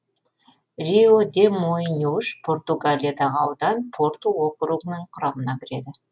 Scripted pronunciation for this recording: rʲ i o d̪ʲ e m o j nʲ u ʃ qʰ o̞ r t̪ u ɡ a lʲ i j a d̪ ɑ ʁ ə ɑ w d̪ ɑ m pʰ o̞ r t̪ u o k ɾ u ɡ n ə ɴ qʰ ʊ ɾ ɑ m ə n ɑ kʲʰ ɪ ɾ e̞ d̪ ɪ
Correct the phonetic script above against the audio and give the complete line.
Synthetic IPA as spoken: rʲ i o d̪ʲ e m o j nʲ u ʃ pʰ o̞ r t̪ u ɡ a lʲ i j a d̪ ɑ ʁ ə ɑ w d̪ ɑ n pʰ o̞ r t̪ u o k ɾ u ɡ n ə ɴ qʰ ʊ ɾ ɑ m ə n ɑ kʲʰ ɪ ɾ e̞ d̪ ɪ